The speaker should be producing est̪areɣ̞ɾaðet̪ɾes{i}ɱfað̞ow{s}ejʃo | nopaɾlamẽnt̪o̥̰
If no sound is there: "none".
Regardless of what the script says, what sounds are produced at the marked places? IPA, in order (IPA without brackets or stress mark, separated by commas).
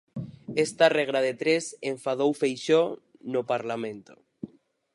e, f